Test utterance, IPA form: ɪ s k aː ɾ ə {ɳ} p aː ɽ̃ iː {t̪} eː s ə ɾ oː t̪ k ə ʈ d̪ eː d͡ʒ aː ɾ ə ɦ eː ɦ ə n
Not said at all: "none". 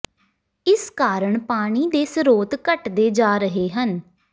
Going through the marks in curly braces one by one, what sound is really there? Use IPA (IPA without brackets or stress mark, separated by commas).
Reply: ɳ, d̪